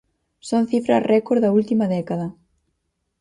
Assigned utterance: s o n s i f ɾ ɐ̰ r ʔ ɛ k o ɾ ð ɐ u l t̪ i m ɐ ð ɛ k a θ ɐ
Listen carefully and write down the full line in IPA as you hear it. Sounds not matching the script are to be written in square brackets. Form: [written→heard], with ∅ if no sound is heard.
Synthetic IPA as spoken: s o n [s→θ] i f ɾ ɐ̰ r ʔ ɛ k o ɾ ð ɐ u l t̪ i m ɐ ð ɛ k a [θ→ð] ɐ